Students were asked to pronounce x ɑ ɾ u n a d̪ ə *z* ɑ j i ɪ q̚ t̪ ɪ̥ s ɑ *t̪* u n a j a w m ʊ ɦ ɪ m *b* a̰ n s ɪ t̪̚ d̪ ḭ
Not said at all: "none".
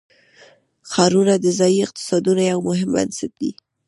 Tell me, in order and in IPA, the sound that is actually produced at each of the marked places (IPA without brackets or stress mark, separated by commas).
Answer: z, d̪, b